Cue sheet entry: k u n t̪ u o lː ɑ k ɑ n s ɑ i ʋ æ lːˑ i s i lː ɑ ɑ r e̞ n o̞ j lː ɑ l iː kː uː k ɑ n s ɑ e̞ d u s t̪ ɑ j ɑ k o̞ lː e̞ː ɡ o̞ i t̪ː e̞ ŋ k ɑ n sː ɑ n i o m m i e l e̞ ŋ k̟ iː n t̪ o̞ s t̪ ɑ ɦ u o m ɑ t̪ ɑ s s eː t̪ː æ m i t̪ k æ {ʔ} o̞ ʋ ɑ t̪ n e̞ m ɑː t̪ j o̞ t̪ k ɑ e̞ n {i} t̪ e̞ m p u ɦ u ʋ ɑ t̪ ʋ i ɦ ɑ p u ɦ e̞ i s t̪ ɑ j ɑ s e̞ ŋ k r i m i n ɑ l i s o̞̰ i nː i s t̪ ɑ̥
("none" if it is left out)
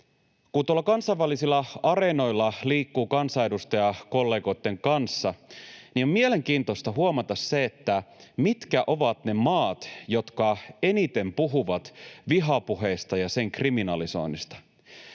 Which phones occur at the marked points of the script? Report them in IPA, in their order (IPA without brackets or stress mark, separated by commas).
ʔ, i